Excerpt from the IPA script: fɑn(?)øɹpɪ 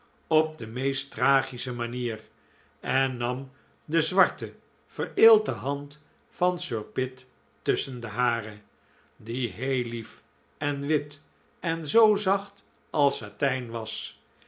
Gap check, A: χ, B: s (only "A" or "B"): B